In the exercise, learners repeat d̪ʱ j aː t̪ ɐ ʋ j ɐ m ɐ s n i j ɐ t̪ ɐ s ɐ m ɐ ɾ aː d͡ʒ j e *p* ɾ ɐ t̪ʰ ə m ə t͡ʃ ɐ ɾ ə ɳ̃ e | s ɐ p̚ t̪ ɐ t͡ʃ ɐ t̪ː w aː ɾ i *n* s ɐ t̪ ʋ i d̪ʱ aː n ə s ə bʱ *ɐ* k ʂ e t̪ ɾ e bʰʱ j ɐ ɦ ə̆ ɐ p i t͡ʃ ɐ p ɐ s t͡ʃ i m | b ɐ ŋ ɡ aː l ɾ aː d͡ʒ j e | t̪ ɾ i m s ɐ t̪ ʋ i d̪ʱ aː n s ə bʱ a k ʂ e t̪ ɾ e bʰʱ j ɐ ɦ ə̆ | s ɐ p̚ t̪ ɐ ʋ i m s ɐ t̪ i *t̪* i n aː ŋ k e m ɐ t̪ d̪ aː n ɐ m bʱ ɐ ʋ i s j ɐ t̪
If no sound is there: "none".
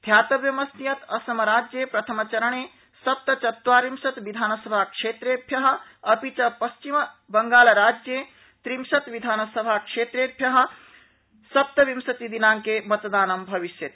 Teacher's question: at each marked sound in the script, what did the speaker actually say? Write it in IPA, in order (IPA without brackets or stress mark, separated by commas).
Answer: p, m, a, d̪